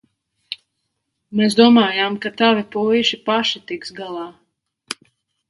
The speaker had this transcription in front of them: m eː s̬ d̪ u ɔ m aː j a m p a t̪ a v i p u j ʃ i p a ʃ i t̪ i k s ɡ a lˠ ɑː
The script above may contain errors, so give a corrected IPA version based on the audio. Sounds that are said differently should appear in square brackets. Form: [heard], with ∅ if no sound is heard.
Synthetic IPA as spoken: m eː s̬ d̪ u ɔ m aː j a m [k] a t̪ a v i p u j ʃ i p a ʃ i t̪ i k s ɡ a lˠ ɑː